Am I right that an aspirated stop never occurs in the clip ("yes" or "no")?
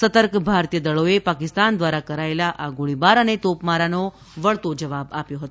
yes